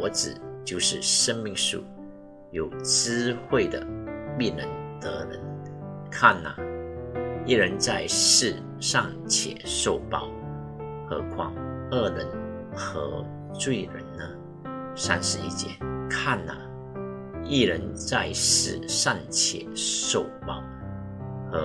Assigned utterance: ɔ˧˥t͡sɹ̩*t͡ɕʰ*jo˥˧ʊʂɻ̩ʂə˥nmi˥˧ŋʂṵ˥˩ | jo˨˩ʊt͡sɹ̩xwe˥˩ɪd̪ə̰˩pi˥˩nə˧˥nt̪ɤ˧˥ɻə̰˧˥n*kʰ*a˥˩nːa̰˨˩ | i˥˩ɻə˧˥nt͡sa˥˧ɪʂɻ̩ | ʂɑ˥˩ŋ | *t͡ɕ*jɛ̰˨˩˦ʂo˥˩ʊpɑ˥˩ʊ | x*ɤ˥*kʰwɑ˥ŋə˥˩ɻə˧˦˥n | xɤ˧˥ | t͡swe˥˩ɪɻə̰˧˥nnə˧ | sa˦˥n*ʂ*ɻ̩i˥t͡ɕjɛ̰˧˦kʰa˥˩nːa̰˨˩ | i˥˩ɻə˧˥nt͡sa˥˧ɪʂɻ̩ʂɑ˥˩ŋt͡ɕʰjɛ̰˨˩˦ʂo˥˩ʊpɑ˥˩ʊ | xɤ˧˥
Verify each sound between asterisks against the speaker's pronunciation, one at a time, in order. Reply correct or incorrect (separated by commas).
incorrect, correct, incorrect, incorrect, correct